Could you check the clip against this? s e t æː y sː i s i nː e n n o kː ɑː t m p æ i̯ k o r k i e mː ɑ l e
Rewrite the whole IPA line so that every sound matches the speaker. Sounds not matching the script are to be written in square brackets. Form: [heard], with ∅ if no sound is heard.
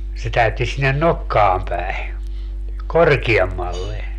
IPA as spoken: s e t [æ] y [tː] i s i nː e n n o kː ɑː [∅] m p æ i̯ k o r k i e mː ɑ [lː] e